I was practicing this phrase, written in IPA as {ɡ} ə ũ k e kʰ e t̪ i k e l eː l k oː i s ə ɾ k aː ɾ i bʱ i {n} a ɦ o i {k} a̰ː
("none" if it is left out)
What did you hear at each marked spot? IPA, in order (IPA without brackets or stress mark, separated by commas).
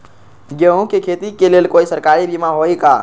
ɡ, m, k